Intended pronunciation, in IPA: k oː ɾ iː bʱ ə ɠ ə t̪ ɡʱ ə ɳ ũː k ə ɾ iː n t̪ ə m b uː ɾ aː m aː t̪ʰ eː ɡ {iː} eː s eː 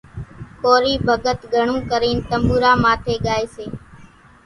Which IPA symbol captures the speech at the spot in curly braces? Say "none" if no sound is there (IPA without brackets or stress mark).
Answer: aː